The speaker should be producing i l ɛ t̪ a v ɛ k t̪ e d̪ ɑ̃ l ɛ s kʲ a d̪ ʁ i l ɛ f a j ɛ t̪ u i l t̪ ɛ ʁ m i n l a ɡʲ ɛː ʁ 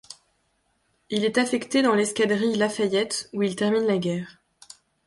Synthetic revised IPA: i l ɛ t̪ a f ɛ k t̪ e d̪ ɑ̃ l ɛ s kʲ a d̪ ʁ i l a f a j ɛ t̪ u i l t̪ ɛ ʁ m i n l a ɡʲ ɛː ʁ